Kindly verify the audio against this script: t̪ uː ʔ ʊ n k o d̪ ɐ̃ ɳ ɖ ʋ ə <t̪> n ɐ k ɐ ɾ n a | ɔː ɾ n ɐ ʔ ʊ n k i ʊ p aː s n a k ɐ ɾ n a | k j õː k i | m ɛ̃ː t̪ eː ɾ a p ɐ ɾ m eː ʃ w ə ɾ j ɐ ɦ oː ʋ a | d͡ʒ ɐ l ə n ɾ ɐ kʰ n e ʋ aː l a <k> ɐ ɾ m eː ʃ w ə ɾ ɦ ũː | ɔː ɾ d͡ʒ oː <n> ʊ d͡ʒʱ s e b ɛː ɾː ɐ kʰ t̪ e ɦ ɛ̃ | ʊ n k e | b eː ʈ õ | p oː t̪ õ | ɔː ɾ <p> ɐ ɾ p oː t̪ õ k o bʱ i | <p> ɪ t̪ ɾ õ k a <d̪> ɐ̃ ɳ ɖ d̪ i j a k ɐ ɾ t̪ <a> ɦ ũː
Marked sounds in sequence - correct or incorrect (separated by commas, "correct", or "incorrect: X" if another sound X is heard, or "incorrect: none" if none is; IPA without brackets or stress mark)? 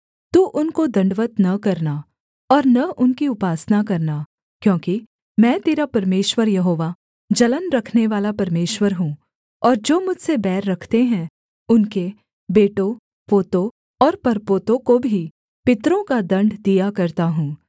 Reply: correct, incorrect: p, incorrect: m, correct, correct, correct, correct